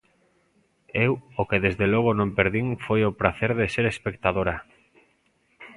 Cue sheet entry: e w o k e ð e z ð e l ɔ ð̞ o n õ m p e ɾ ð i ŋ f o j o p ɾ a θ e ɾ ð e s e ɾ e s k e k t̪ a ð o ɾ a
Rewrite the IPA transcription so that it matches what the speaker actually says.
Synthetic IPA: e w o k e ð e z ð e l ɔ ɣ̞ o n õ m p e ɾ ð i ŋ f o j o p ɾ a θ e ɾ ð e s e ɾ e s p e k t̪ a ð o ɾ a